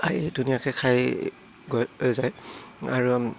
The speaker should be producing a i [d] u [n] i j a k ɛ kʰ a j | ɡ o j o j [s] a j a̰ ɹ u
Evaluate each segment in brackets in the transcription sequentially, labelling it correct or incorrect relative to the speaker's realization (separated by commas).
correct, correct, incorrect